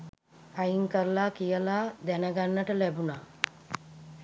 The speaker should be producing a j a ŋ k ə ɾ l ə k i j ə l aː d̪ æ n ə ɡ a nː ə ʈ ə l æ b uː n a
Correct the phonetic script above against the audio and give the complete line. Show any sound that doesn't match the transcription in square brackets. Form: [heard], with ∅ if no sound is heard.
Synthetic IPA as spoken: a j [i] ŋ k ə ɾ l [a] k i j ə l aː d̪ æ n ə ɡ a nː ə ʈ ə l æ b [u] n a